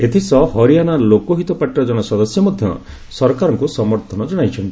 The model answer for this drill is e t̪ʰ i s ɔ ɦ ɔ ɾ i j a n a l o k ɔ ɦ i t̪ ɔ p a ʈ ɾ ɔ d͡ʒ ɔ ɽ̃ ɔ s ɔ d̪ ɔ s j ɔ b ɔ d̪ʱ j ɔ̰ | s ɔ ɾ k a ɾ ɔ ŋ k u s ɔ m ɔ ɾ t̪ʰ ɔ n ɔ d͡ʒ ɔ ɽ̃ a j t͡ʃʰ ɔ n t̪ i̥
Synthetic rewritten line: e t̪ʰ i s ɔ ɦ ɔ ɾ i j a n a l o k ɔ ɦ i t̪ ɔ p a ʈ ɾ ɔ d͡ʒ ɔ ɽ̃ ɔ s ɔ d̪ ɔ s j ɔ m ɔ d̪ʱ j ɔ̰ | s ɔ ɾ k a ɾ ɔ ŋ k u s ɔ m ɔ ɾ t̪ʰ ɔ n ɔ d͡ʒ ɔ ɽ̃ a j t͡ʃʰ ɔ n t̪ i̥